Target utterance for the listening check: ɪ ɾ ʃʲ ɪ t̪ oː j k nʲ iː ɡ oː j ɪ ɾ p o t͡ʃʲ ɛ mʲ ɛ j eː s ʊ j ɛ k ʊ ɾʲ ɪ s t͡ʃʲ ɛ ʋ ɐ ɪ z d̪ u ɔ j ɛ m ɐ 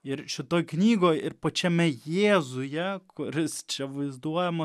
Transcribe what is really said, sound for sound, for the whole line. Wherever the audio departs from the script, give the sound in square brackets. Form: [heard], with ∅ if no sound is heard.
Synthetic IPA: ɪ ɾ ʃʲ ɪ t̪ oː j k nʲ iː ɡ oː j ɪ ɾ p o t͡ʃʲ ɛ mʲ ɛ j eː [z] ʊ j ɛ k ʊ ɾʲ ɪ s t͡ʃʲ ɛ ʋ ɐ ɪ z d̪ u ɔ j ɛ m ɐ